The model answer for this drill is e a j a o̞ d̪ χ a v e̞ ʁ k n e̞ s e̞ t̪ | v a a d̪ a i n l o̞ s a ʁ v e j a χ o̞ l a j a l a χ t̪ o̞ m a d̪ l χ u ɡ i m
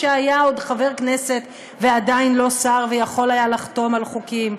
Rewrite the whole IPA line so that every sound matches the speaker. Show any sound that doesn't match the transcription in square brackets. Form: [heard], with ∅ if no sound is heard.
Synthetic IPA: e a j a o̞ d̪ χ a v e̞ ʁ k n e̞ s e̞ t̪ | v [e] a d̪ a i n l o̞ s a ʁ v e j a χ o̞ l a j a l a χ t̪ o̞ m a [∅] l χ u [k] i m